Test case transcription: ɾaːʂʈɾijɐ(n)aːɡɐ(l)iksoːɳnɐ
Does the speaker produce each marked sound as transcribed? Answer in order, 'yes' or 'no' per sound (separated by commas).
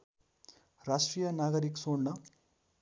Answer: yes, no